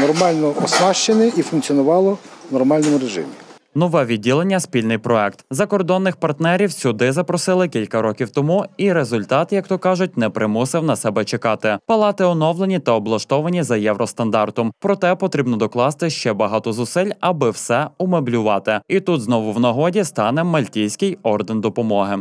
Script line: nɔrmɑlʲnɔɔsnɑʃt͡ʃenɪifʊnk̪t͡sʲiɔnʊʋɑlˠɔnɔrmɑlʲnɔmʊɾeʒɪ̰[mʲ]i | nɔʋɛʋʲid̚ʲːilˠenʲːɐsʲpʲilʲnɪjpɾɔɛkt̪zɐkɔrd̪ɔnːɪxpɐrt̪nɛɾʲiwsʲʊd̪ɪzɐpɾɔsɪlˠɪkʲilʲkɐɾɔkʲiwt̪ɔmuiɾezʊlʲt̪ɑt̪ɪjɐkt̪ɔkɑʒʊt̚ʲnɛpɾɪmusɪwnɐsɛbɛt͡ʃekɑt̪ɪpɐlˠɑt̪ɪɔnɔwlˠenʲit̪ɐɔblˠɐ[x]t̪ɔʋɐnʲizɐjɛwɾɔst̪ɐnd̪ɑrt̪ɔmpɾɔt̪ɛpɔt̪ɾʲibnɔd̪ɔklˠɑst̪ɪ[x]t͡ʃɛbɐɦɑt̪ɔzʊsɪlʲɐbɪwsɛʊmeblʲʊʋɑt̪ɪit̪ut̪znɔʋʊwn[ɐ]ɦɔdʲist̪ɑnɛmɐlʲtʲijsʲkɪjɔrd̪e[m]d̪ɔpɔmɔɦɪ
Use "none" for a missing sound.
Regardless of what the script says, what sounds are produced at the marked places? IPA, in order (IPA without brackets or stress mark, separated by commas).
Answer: mʲ, ʃ, ʃ, ɐ, n